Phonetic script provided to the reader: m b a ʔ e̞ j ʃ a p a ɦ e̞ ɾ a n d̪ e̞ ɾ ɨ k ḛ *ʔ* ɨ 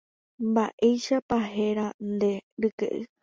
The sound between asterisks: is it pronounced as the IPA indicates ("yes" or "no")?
yes